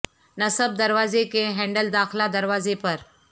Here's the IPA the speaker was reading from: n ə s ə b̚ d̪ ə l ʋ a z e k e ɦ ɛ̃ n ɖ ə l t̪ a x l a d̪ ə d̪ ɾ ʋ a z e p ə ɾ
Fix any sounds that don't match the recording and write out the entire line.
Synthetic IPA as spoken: n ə s ə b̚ d̪ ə ɾ ʋ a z e k e ɦ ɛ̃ ɳ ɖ ə l d̪ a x l a d̪ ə ɾ ʋ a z e p ə ɾ